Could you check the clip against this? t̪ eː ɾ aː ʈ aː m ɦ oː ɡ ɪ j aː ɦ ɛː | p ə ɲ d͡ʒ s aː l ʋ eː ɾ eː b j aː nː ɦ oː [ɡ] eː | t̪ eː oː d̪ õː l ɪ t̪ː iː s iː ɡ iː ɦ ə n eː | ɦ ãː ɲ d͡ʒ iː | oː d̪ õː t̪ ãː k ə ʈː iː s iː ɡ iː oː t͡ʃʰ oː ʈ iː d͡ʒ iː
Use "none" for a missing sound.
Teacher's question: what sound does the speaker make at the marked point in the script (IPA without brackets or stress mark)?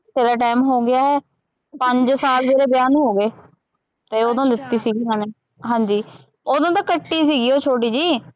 ɡ